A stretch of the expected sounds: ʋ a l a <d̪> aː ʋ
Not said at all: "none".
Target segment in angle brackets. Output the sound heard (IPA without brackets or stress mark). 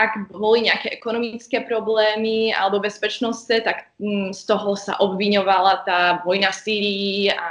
t̪